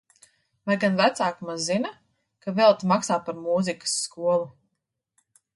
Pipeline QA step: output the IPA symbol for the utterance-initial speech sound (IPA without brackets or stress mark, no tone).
v